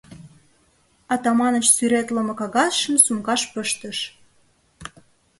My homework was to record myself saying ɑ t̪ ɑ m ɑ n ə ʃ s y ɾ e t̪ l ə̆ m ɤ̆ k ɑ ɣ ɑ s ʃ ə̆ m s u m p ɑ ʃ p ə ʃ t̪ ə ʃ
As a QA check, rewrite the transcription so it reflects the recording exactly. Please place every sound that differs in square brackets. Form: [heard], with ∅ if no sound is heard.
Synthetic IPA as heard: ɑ t̪ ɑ m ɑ n ə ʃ s y ɾ e t̪ l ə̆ m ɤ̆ k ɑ ɣ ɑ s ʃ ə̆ m s u m [k] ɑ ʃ p ə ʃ t̪ ə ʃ